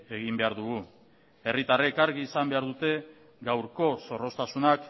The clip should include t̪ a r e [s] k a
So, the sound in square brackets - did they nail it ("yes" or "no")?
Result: no